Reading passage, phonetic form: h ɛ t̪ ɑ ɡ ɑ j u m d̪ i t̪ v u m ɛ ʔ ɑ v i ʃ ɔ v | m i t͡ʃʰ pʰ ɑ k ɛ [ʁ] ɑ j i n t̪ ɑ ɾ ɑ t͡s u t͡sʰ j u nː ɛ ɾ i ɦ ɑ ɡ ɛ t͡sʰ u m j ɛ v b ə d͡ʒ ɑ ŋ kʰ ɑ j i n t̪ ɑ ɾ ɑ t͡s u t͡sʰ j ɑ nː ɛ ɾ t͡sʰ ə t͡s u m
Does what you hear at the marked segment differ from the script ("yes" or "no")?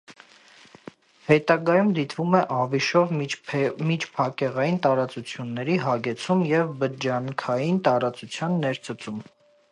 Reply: no